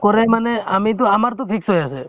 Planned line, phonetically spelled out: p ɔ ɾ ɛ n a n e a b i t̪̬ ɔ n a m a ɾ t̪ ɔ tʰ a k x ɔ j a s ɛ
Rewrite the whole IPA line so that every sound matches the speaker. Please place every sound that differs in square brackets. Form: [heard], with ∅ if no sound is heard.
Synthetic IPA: [k] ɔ ɾ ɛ [m] a n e a [m] i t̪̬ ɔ [∅] a m a ɾ t̪ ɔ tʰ [i] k [s] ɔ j a s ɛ